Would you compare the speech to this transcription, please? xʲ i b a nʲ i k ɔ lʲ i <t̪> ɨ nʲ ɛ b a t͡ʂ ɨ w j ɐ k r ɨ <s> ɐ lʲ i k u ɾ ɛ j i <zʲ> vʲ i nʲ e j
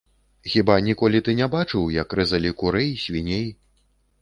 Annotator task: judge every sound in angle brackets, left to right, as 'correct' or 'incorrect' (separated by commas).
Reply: correct, incorrect, incorrect